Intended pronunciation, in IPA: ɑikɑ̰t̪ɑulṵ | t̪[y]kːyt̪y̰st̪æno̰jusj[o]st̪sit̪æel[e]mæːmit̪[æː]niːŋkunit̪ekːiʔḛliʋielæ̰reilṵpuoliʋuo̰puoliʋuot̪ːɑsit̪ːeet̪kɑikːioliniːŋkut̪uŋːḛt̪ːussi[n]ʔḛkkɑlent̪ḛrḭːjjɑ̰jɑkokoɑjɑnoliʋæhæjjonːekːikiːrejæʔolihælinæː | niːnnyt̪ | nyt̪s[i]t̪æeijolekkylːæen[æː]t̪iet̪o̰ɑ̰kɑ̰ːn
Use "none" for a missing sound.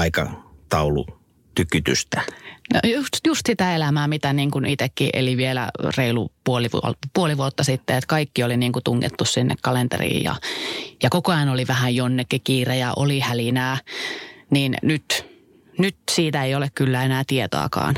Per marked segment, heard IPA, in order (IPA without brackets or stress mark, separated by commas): y, u, æ, æ, nː, iː, æː